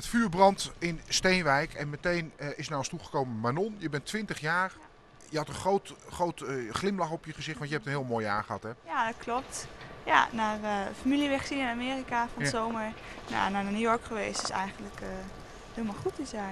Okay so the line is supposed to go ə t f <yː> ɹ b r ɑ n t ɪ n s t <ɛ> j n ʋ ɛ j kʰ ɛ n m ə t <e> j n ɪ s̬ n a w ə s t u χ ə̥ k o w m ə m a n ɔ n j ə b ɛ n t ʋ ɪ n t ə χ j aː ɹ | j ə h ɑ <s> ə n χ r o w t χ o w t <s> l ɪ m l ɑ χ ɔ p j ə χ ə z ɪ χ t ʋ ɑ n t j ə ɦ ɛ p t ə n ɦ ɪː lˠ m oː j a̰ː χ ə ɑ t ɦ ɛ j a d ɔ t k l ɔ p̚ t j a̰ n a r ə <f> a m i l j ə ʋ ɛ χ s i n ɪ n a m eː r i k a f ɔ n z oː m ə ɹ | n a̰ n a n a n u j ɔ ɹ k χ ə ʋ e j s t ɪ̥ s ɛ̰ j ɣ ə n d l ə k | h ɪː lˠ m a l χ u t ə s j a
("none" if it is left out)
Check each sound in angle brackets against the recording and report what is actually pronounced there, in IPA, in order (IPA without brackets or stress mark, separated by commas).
yː, e, e, t, χ, f